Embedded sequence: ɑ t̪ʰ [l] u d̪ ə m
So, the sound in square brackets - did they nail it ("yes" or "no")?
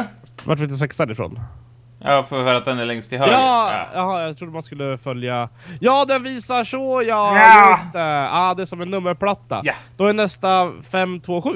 no